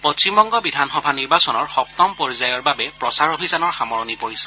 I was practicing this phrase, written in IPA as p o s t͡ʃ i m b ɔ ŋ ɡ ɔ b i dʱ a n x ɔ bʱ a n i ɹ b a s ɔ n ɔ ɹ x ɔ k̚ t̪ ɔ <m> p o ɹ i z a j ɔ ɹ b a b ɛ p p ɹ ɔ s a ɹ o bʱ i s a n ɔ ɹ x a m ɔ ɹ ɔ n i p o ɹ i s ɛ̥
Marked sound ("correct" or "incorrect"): correct